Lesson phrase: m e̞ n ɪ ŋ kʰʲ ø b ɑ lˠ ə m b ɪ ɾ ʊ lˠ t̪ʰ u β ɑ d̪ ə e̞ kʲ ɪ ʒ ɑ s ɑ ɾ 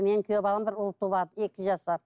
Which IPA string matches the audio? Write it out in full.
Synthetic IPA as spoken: m e̞ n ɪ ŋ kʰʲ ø b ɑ lˠ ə m b ɪ ɾ ʊ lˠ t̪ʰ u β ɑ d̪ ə e̞ kʲ ɪ ʒ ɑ s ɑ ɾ